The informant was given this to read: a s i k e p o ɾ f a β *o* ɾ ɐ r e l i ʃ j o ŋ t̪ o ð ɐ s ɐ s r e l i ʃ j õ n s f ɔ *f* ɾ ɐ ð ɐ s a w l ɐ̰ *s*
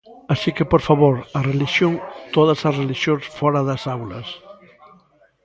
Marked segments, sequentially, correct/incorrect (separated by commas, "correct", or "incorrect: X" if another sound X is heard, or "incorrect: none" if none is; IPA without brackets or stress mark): correct, incorrect: none, correct